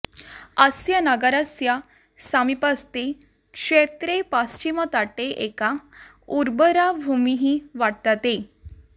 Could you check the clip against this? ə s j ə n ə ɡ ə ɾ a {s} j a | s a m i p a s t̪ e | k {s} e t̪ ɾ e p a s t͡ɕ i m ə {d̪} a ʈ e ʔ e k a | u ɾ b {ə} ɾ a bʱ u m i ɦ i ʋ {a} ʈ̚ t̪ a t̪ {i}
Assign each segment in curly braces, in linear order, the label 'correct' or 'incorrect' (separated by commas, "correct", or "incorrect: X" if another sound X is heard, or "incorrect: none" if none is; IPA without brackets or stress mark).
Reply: correct, incorrect: ʂ, incorrect: t̪, correct, correct, incorrect: e